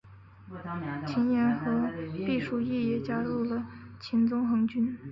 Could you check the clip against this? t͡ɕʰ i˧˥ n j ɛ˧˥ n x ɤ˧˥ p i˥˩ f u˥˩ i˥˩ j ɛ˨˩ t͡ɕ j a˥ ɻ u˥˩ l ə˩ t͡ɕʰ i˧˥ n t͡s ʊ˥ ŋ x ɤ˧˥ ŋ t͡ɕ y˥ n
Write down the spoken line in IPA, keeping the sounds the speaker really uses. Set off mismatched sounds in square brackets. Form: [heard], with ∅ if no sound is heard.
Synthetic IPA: t͡ɕʰ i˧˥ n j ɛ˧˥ n x ɤ˧˥ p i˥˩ [ʂ] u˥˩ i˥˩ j ɛ˨˩ t͡ɕ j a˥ ɻ u˥˩ l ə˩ t͡ɕʰ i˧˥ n t͡s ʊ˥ ŋ x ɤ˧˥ ŋ t͡ɕ y˥ n

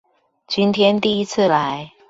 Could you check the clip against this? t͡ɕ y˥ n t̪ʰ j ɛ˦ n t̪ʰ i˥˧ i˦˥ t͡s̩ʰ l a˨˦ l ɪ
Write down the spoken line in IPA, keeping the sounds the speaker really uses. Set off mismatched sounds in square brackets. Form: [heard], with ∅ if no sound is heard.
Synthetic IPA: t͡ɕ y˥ n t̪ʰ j ɛ˦ n [t̪] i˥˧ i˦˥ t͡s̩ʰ l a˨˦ [∅] ɪ

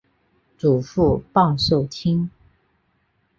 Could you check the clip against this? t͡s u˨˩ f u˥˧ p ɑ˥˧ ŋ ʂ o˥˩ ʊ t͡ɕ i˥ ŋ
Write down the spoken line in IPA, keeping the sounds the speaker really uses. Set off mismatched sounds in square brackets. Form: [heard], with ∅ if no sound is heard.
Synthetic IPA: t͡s u˨˩ f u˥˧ p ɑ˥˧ ŋ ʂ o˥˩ ʊ [t͡ɕʰ] i˥ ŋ

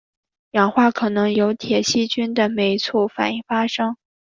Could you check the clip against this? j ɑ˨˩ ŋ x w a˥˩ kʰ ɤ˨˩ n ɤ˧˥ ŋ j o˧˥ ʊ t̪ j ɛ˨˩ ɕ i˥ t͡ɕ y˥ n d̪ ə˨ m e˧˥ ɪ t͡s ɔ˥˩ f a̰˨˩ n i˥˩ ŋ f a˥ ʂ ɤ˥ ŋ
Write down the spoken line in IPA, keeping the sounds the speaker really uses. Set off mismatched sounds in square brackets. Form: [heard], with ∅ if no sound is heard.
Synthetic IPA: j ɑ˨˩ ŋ x w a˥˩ kʰ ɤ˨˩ n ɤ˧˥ ŋ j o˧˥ ʊ [t̪ʰ] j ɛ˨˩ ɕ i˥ t͡ɕ y˥ n d̪ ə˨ m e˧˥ ɪ [t͡sʰ] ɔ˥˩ f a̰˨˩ n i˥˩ ŋ f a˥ ʂ ɤ˥ ŋ

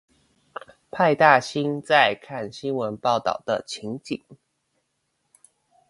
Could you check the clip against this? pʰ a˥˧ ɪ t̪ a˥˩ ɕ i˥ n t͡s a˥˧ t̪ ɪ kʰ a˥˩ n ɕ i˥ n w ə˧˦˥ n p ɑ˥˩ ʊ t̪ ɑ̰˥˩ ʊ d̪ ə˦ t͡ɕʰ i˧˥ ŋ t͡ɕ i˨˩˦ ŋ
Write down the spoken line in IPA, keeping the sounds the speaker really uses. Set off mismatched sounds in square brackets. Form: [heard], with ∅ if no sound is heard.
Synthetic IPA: pʰ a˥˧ ɪ t̪ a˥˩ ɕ i˥ n t͡s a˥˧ [∅] ɪ kʰ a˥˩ n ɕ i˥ n w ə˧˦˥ n p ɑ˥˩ ʊ t̪ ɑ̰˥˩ ʊ d̪ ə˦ t͡ɕʰ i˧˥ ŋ t͡ɕ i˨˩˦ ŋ

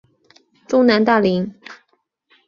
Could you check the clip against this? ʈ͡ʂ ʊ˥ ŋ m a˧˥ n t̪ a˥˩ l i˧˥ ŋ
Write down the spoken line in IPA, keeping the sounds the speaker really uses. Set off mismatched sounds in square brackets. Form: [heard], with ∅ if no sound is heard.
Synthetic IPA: ʈ͡ʂ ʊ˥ ŋ [n] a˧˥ n t̪ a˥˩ l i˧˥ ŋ

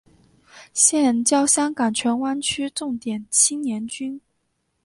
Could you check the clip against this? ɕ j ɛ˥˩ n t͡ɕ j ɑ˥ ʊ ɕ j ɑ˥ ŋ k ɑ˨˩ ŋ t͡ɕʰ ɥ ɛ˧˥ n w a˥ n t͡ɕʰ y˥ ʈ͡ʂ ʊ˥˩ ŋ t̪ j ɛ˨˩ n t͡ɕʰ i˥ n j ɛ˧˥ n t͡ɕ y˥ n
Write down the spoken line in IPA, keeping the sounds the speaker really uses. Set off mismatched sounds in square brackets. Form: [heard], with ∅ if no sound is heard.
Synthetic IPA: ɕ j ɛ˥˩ n t͡ɕ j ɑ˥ ʊ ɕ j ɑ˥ ŋ k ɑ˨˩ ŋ t͡ɕʰ ɥ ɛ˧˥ n w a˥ n t͡ɕʰ y˥ ʈ͡ʂ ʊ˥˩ ŋ t̪ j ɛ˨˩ n t͡ɕʰ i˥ n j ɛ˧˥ n t͡ɕ y˥ n

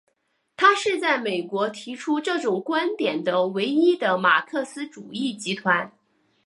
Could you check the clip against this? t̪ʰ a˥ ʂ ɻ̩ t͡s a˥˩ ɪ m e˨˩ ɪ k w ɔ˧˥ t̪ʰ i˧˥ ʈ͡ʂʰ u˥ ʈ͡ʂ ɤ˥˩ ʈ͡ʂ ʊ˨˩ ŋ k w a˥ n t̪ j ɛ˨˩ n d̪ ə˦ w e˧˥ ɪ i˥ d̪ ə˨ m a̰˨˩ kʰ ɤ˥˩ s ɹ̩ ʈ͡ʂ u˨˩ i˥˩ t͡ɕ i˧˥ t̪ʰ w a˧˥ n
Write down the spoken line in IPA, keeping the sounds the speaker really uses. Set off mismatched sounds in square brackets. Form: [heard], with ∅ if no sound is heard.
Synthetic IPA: t̪ʰ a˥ ʂ ɻ̩ t͡s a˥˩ ɪ m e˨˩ ɪ k w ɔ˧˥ t̪ʰ i˧˥ ʈ͡ʂʰ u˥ ʈ͡ʂ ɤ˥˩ ʈ͡ʂ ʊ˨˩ ŋ k w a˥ n t̪ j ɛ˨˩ n d̪ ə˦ w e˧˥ ɪ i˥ d̪ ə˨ m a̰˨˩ kʰ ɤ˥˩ s ɹ̩ ʈ͡ʂ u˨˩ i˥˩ t͡ɕ i˧˥ t̪ʰ w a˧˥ n

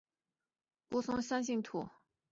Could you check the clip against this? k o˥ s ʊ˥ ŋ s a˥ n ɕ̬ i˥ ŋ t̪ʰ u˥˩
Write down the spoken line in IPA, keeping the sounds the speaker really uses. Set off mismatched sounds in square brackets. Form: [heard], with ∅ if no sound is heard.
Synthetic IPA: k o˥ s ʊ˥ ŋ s a˥ n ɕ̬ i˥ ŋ t̪ʰ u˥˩

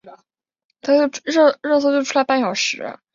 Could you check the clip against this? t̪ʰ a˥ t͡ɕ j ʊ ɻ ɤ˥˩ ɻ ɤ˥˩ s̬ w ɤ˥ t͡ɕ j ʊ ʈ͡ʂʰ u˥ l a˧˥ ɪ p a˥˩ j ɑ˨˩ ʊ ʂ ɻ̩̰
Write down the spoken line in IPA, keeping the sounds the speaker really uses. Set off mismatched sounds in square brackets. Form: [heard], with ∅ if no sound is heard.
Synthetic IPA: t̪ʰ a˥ t͡ɕ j ʊ ɻ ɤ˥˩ ɻ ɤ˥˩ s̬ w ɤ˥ t͡ɕ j ʊ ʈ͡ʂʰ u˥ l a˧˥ ɪ p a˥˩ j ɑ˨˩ ʊ ʂ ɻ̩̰

